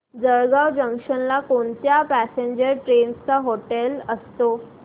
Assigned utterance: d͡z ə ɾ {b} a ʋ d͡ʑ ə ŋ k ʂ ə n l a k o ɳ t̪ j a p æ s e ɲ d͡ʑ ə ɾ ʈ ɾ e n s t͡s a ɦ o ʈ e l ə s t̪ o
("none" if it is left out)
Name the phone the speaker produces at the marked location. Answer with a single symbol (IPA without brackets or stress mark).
ɡ